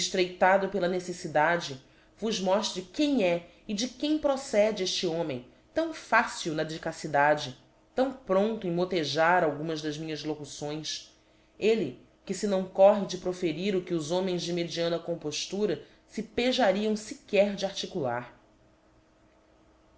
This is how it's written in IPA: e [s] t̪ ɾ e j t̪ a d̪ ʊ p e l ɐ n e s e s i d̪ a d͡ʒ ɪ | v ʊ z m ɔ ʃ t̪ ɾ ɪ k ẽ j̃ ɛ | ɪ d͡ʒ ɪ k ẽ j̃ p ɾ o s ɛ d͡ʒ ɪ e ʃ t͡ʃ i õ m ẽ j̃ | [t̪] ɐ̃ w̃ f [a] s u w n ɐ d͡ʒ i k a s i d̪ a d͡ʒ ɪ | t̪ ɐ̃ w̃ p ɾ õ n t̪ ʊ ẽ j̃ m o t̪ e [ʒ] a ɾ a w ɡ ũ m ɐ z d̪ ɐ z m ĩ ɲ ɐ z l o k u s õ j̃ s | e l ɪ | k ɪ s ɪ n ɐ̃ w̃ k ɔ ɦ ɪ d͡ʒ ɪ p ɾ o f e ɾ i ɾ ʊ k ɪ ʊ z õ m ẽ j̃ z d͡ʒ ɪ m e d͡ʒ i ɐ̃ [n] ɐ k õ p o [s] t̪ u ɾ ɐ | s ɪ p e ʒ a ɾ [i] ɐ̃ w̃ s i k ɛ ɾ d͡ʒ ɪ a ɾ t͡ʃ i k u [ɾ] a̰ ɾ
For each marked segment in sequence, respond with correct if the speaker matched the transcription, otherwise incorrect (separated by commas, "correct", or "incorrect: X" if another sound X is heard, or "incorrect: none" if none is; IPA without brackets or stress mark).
incorrect: ʃ, correct, correct, correct, correct, incorrect: ʃ, correct, incorrect: l